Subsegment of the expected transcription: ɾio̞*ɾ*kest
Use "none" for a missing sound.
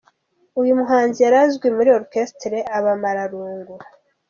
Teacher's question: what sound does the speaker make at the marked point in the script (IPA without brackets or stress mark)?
ɾ